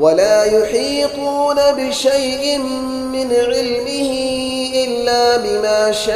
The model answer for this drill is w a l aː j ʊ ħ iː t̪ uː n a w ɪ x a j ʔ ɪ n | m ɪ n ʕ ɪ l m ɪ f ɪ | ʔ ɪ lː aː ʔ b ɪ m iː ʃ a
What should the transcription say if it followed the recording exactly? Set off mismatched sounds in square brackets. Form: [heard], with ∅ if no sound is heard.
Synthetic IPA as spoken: w a l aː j ʊ ħ iː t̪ uː n a [b] ɪ [ʃ] a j ʔ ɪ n | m ɪ n ʕ ɪ l m ɪ [h] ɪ | ʔ ɪ lː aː [∅] b ɪ m [aː] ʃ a